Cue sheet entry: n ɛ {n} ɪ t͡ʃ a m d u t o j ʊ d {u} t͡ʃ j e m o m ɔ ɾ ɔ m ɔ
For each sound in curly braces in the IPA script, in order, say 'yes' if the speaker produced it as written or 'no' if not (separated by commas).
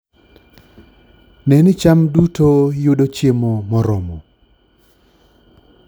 yes, no